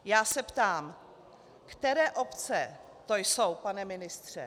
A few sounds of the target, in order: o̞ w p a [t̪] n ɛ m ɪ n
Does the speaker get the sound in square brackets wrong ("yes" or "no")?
yes